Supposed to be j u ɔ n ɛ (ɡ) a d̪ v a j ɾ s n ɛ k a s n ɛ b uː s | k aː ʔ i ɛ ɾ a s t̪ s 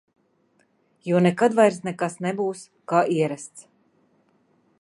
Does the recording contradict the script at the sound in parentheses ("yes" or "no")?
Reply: yes